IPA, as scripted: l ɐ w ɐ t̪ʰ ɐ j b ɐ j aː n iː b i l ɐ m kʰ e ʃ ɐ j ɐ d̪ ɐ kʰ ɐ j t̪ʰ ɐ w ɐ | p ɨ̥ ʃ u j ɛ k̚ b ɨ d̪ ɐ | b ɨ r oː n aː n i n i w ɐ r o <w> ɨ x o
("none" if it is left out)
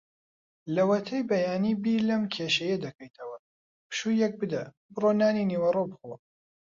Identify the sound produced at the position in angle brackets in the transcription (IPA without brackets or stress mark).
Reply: b